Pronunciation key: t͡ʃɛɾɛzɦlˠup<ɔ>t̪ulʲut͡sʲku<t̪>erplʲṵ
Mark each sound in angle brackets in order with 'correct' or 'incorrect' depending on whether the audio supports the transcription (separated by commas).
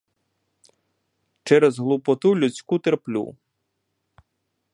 correct, correct